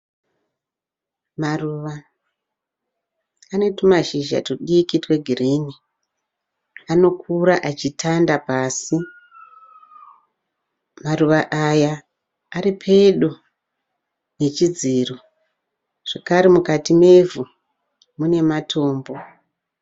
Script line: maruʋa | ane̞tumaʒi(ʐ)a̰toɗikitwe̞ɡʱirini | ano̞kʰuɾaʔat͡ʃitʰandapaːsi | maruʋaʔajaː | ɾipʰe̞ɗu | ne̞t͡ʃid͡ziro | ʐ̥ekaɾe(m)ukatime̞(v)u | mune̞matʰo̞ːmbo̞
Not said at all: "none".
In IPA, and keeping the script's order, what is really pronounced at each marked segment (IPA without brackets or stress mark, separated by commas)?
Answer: ʒ, m, v